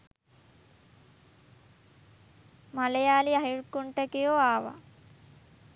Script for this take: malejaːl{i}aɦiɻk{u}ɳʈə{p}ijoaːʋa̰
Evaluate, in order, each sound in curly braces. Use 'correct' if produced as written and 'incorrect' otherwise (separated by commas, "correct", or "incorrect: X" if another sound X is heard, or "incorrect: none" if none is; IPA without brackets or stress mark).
correct, correct, incorrect: k